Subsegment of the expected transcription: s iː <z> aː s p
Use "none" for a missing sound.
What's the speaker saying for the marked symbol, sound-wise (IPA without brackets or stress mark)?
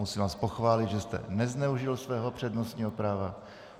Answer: v